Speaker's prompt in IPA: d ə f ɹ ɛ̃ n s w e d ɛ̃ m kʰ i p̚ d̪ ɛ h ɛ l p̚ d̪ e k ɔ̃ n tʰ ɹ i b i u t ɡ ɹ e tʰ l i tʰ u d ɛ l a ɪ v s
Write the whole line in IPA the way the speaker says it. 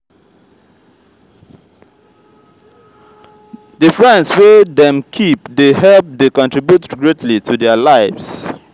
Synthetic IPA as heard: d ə f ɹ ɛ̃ n s w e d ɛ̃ m kʰ i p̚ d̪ e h ɛ l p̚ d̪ e k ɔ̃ n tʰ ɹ i b j u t ɡ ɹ e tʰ l i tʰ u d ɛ l a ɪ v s